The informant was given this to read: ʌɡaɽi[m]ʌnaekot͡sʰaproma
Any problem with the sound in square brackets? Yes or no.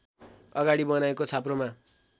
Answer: yes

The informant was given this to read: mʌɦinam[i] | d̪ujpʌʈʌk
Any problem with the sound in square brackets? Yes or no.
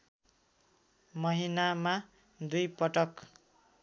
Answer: yes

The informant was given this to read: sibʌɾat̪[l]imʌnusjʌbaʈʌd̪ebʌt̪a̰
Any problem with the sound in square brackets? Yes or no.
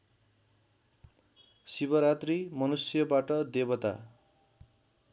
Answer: yes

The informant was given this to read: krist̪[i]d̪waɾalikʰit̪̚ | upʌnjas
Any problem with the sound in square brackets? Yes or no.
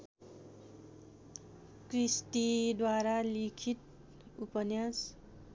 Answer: no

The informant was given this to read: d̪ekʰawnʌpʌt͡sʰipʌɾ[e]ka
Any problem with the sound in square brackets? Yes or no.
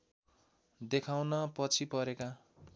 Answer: no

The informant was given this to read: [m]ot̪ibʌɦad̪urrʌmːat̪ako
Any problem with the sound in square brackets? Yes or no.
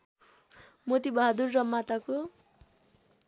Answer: no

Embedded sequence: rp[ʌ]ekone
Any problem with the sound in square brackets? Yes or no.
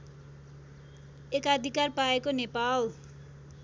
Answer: yes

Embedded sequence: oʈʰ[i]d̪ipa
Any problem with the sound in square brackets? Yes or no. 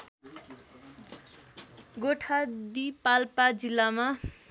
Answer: yes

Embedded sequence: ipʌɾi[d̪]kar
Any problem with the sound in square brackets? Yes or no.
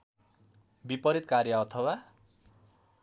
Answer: yes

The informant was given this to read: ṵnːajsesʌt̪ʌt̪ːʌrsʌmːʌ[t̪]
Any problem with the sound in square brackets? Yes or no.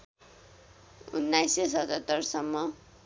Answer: yes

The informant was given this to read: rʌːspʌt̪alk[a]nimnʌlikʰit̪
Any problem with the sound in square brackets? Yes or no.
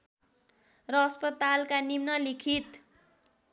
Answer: no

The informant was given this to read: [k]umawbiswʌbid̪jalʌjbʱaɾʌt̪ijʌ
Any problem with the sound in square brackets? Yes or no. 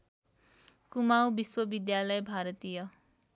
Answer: no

